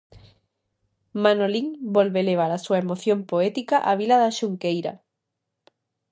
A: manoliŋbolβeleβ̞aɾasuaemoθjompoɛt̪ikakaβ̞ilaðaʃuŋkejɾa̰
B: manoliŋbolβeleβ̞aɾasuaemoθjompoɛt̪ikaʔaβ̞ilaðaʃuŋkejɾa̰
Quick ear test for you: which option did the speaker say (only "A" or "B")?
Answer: B